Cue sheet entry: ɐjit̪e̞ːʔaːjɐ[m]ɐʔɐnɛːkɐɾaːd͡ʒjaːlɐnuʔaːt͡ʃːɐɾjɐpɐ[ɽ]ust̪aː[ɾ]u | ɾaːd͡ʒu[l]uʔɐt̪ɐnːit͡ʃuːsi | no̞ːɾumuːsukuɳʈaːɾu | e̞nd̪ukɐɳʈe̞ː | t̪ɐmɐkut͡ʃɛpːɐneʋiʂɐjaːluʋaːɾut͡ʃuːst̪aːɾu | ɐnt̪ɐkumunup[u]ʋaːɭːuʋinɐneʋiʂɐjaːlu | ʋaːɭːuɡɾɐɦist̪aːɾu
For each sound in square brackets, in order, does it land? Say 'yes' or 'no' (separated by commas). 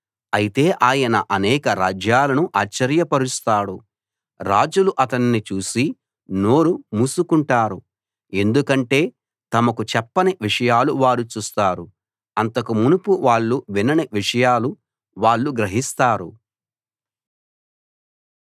no, no, no, yes, yes